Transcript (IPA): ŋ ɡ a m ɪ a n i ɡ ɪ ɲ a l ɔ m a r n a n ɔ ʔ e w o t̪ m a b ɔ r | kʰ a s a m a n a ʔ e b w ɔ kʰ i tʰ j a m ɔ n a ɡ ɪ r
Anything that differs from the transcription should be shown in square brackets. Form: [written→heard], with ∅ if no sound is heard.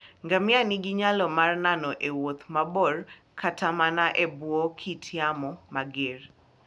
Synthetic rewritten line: ŋ ɡ a m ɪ a n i ɡ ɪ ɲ a l ɔ m a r n a n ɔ ʔ e w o t̪ m a b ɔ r | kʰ a [s→t] a m a n a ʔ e b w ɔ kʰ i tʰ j a m ɔ [n→m] a ɡ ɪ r